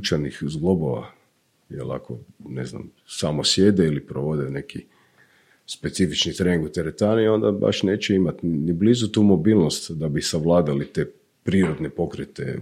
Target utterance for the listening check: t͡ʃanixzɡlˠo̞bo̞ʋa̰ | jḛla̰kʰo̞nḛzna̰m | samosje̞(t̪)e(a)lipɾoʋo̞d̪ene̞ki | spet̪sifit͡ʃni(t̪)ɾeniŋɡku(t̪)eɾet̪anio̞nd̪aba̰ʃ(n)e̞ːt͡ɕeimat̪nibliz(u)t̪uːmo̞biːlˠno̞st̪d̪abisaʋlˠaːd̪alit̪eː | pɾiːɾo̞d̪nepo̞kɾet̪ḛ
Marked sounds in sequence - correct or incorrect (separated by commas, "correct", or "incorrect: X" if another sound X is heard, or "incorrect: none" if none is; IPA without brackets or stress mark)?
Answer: incorrect: d̪, incorrect: i, correct, correct, correct, correct